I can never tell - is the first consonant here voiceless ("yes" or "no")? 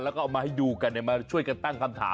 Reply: no